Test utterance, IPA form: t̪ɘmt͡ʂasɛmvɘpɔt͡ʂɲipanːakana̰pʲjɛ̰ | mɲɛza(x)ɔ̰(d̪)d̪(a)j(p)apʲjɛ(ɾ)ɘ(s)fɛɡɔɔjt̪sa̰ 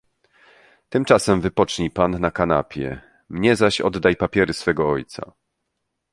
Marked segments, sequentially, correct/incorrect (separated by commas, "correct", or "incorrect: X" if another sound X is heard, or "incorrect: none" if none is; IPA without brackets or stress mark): incorrect: ɕ, correct, correct, correct, correct, correct